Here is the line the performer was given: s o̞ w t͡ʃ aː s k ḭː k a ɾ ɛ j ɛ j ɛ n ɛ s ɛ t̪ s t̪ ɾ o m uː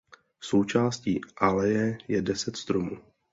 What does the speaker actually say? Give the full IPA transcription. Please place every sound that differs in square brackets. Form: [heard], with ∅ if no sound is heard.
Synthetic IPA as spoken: s o̞ w t͡ʃ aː s [c] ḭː [ʔ] a [l] ɛ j ɛ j ɛ [d] ɛ s ɛ t̪ s t̪ ɾ o m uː